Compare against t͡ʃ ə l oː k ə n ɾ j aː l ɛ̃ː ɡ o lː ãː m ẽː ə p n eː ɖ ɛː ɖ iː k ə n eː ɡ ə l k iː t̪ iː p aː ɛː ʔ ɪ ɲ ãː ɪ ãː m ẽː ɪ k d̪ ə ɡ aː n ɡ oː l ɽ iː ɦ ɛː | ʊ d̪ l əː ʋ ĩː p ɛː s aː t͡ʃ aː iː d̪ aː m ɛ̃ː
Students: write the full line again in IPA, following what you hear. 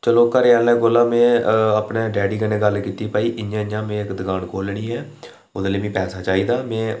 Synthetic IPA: t͡ʃ ə l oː k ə ɾ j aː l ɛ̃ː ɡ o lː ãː m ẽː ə p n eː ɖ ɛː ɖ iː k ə n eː ɡ ə l k iː t̪ iː p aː iː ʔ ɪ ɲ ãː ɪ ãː m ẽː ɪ k d̪ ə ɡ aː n k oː l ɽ iː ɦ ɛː | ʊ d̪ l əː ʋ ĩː p ɛː s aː t͡ʃ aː iː d̪ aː m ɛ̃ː